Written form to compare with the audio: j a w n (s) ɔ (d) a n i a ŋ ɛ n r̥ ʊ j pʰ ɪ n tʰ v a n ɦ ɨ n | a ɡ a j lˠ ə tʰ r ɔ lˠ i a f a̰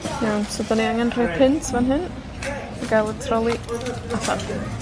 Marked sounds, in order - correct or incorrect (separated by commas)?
correct, correct